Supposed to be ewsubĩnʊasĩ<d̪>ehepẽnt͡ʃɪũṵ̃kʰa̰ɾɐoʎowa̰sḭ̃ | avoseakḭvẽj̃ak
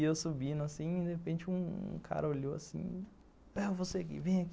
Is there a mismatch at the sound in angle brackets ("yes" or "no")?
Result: no